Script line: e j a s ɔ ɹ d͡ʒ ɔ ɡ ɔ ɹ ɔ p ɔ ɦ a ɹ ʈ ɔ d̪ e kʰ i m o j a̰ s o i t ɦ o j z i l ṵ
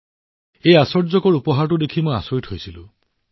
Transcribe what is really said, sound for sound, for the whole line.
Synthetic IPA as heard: e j a s ɔ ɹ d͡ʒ ɔ k ɔ ɹ u p ɔ ɦ a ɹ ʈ u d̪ e kʰ i m o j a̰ s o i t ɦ o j s i l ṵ